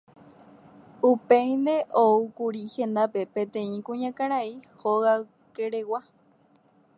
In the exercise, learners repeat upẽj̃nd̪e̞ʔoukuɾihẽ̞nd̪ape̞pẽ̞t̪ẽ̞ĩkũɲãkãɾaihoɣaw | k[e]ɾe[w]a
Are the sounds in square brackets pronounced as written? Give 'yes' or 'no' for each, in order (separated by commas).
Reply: yes, yes